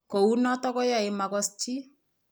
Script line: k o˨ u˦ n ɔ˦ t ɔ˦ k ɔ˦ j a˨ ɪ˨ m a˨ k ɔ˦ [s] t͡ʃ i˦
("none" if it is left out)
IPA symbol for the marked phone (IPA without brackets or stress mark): s